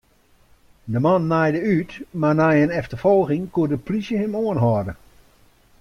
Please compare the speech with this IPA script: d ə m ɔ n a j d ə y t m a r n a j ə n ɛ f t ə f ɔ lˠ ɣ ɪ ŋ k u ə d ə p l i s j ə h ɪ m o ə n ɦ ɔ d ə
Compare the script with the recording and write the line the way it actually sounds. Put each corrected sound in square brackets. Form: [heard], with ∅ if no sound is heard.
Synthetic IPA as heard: d ə m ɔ [nː] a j d ə y t m a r n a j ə n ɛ f t ə f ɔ lˠ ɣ ɪ ŋ k u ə d ə p l i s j ə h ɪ m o ə n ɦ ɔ d ə